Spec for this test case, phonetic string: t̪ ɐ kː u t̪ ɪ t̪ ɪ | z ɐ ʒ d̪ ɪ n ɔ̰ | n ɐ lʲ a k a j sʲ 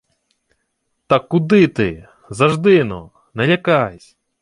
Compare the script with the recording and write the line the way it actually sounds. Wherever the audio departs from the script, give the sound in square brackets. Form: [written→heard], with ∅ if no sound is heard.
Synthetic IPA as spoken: t̪ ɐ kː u [t̪→d̪] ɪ t̪ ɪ | z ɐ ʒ d̪ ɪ n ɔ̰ | n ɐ lʲ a k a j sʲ